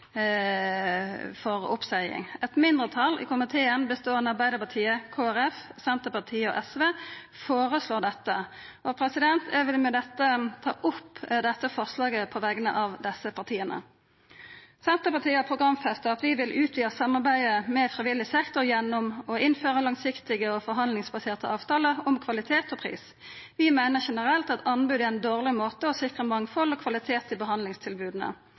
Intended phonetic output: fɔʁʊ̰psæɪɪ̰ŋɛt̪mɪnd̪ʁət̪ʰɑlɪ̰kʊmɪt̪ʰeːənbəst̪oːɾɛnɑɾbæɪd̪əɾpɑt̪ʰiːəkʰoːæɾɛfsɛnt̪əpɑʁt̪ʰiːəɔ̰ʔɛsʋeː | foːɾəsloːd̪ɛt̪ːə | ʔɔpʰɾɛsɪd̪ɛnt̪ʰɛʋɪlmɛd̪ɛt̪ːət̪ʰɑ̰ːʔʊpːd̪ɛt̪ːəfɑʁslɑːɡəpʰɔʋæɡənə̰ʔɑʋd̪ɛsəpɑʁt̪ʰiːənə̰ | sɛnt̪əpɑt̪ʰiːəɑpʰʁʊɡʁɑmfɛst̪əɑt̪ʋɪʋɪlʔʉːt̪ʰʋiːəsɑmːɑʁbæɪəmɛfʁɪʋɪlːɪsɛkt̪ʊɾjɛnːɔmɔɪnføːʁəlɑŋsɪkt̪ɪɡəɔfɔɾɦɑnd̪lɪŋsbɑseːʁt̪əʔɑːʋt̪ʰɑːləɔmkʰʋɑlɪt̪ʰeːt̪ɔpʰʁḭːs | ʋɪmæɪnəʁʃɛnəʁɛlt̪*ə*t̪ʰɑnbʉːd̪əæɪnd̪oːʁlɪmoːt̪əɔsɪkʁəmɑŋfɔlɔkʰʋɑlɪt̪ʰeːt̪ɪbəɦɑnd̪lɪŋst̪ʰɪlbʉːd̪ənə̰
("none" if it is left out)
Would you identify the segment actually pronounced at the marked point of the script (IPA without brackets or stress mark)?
ɑ